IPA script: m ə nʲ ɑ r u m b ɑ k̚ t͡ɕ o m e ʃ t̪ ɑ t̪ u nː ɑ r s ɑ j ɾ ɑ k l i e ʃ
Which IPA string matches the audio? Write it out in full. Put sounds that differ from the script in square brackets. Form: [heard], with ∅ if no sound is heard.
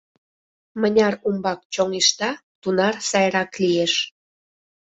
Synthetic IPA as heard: m ə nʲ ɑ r u m b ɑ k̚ t͡ɕ o [ŋ] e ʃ t̪ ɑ t̪ u [n] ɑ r s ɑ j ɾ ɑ k l i e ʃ